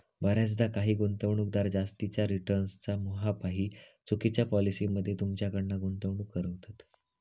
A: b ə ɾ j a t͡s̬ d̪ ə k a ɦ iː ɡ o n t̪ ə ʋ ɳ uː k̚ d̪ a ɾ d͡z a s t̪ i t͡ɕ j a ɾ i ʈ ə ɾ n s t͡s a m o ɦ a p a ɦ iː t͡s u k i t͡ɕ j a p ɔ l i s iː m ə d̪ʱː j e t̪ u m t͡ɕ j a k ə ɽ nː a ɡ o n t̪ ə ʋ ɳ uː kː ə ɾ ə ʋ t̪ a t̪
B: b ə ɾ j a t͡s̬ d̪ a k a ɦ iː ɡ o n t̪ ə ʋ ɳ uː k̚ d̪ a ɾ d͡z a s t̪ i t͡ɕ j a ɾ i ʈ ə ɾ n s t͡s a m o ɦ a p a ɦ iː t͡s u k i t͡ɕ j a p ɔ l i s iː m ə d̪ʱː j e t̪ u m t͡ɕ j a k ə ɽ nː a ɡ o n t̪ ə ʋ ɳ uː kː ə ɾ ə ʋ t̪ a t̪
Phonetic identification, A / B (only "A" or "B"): B